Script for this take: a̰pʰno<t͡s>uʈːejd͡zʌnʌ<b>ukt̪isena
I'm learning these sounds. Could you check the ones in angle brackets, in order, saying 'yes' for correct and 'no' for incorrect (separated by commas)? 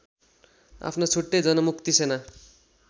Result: no, no